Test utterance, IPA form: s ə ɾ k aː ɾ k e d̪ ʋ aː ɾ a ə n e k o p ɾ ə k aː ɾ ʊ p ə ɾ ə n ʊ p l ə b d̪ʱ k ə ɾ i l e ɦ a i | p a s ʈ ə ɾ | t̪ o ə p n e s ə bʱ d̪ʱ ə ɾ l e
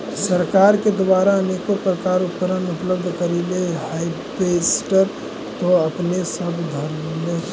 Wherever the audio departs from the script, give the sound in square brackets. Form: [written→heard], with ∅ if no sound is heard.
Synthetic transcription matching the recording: s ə ɾ k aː ɾ k e d̪ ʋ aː ɾ a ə n e k o p ɾ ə k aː ɾ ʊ p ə ɾ ə n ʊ p l ə b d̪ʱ k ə ɾ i l e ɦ a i | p [a→e] s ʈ ə ɾ | t̪ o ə p n e s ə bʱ d̪ʱ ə ɾ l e